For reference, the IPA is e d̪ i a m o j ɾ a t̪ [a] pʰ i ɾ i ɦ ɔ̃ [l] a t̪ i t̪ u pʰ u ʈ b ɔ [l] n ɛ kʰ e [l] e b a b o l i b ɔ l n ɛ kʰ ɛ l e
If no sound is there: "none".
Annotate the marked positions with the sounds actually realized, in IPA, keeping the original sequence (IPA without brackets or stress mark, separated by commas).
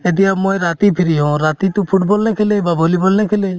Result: i, ɾ, l, l